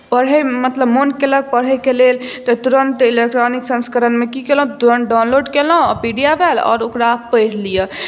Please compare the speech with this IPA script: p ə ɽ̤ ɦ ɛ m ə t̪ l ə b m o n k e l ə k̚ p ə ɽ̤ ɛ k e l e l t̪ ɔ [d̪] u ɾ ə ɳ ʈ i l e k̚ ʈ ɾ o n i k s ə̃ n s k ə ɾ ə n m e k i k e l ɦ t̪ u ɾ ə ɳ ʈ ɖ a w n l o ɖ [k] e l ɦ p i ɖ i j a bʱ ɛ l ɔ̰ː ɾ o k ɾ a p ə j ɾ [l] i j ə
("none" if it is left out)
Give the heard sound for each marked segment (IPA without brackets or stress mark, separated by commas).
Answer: t̪, k, l